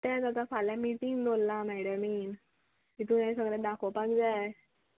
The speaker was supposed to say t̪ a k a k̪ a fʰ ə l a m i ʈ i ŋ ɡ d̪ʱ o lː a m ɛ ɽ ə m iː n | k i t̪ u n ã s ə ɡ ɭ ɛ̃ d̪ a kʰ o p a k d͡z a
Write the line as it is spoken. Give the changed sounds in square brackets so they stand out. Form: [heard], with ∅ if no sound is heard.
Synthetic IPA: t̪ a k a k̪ a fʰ [a] l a m i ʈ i ŋ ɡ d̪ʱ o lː a m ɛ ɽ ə m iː n | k i t̪ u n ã s ə ɡ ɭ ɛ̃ d̪ a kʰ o p a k d͡z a